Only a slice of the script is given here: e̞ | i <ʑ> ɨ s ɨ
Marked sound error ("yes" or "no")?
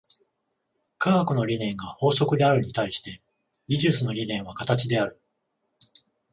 no